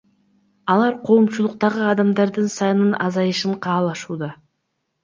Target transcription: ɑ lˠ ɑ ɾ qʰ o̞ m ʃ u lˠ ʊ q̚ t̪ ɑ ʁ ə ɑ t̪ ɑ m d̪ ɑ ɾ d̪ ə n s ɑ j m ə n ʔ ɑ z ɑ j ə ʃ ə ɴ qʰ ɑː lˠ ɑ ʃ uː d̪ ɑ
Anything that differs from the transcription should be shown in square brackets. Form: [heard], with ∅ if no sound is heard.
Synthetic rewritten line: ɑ lˠ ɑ ɾ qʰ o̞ m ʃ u lˠ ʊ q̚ t̪ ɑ ʁ ə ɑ [d̪] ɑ m d̪ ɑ ɾ d̪ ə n s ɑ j [n] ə n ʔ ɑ z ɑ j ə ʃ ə ɴ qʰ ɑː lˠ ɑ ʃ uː d̪ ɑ